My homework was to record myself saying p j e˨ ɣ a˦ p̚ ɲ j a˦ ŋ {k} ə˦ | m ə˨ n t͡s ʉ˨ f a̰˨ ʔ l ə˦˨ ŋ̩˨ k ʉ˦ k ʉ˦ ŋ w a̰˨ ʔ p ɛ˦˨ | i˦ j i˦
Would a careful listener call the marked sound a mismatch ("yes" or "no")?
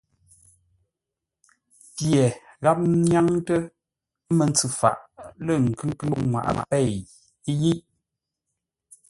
yes